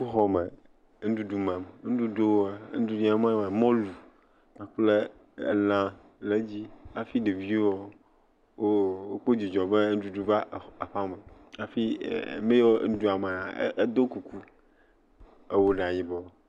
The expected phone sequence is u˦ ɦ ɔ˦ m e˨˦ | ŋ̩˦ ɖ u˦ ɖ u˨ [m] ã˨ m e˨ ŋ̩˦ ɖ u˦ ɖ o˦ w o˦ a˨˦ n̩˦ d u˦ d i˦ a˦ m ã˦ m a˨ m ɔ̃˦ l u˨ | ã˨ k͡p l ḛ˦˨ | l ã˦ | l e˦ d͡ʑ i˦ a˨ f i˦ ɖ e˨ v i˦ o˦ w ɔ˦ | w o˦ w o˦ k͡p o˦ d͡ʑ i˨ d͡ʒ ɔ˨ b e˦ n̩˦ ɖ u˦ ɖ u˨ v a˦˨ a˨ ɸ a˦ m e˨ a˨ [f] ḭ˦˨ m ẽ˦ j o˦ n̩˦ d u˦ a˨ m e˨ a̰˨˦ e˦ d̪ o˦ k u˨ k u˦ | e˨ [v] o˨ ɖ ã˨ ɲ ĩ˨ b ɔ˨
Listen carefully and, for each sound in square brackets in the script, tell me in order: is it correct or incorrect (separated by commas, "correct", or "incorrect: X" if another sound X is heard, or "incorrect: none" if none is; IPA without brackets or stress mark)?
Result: correct, correct, incorrect: w